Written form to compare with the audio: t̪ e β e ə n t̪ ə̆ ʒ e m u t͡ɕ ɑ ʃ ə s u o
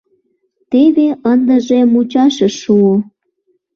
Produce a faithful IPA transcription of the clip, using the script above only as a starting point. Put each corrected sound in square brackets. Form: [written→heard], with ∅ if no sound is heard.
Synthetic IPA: t̪ e β e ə n [t̪→d̪] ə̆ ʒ e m u t͡ɕ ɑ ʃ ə [s→ʃ] u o